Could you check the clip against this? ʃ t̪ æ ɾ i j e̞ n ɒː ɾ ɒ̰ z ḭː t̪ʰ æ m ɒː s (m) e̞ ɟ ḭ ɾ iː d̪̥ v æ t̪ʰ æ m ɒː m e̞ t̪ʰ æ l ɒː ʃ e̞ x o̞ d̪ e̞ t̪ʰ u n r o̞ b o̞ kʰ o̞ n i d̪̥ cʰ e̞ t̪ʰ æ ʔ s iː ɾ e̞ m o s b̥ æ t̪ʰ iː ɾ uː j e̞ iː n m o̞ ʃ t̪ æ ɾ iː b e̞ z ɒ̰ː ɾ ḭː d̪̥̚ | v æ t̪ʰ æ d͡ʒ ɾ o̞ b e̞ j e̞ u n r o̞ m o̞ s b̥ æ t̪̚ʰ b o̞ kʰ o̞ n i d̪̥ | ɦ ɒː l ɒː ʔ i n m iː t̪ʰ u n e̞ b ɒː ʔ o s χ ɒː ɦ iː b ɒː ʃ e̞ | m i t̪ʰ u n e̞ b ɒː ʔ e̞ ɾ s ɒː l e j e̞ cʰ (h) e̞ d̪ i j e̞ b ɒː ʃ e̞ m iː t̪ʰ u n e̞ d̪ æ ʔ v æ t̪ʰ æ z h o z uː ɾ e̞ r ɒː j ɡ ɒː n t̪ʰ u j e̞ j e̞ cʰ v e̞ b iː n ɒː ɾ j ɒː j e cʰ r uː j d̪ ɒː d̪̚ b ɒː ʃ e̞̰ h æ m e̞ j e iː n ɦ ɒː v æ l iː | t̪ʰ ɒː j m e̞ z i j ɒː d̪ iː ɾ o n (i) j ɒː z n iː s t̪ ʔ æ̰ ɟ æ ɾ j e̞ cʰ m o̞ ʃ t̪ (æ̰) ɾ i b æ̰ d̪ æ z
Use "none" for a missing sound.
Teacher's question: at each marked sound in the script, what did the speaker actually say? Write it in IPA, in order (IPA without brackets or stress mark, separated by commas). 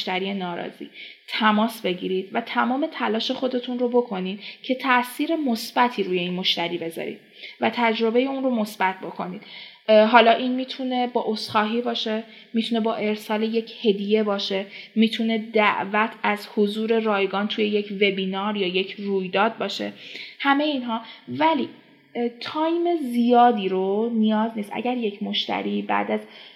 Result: b, h, i, æ̰